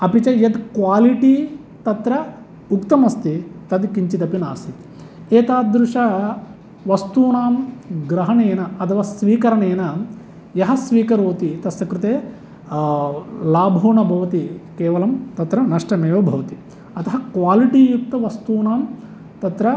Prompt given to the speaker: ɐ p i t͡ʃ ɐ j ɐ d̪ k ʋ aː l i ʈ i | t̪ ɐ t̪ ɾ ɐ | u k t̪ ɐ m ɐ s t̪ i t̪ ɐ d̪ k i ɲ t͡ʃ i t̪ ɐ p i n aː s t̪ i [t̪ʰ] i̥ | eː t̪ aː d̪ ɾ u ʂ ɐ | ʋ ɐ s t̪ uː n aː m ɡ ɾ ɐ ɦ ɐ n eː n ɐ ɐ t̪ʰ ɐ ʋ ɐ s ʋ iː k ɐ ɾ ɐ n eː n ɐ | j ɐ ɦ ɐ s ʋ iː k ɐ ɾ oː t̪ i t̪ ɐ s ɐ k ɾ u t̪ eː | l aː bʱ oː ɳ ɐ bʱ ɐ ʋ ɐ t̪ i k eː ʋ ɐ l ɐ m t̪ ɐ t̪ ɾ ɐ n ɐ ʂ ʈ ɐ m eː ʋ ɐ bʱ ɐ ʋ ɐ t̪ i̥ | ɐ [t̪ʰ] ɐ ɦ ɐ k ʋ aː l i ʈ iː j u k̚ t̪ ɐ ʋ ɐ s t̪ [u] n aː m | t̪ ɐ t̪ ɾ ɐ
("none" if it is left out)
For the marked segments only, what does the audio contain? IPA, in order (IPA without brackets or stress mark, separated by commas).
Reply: t̪, t̪, uː